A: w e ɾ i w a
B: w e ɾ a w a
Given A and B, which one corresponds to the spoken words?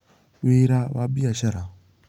B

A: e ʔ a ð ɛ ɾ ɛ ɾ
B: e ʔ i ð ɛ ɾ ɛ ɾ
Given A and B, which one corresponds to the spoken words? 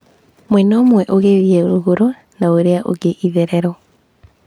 B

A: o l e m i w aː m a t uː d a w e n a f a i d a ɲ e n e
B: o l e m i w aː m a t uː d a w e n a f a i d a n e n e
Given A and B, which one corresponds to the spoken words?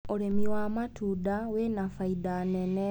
B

